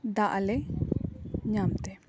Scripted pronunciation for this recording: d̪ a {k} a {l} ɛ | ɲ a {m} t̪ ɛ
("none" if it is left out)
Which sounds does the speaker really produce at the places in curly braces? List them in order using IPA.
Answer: ʔ, l, m

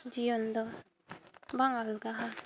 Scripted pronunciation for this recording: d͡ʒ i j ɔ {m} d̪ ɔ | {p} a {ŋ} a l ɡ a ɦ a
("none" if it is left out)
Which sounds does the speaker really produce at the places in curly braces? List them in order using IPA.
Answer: n, b, ŋ

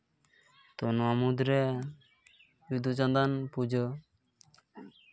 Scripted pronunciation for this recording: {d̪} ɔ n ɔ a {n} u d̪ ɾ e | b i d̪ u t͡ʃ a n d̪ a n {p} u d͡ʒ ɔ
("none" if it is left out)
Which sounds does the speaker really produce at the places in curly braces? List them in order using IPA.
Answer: t̪, m, p

